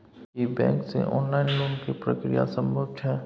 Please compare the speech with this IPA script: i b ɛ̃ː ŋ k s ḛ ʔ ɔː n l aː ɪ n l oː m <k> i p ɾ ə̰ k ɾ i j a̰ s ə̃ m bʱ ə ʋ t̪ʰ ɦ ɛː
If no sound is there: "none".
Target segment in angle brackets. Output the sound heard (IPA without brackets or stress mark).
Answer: k